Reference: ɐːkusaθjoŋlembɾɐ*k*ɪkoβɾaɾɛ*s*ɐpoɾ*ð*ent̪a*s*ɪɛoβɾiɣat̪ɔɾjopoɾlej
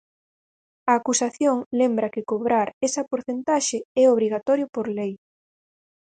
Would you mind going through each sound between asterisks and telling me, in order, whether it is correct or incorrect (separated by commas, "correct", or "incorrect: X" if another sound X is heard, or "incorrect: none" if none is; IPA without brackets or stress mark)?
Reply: correct, correct, incorrect: θ, incorrect: ʃ